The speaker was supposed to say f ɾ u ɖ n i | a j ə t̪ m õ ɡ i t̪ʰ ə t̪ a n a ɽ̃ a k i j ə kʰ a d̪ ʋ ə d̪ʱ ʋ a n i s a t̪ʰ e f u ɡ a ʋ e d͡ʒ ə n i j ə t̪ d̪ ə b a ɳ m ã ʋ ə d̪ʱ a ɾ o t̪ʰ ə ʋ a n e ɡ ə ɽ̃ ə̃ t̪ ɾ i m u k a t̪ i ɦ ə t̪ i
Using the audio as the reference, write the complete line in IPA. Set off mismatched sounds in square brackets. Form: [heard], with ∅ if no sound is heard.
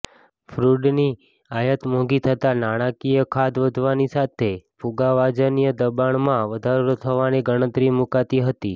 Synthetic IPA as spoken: f ɾ u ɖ n i | a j ə t̪ m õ ɡ i t̪ʰ ə t̪ a n a ɽ̃ a k i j ə kʰ a d̪ ʋ ə d̪ʱ ʋ a n i s a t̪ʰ e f u ɡ a ʋ [a] d͡ʒ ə n i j ə [∅] d̪ ə b a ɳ m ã ʋ ə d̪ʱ a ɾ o t̪ʰ ə ʋ a n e ɡ ə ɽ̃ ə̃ t̪ ɾ i m u k a t̪ i ɦ ə t̪ i